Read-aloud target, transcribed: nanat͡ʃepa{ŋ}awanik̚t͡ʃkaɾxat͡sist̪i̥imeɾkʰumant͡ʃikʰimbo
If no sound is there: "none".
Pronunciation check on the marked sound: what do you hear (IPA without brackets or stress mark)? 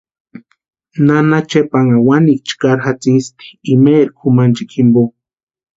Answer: ŋ